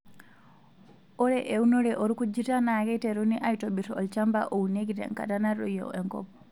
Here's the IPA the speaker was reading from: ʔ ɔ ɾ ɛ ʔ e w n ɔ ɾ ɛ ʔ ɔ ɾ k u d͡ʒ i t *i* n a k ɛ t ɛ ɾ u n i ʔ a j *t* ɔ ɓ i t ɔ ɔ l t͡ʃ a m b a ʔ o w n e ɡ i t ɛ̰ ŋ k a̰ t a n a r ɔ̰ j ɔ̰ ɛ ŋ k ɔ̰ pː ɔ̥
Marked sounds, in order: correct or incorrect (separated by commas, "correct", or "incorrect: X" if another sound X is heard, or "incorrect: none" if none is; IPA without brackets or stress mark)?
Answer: incorrect: a, correct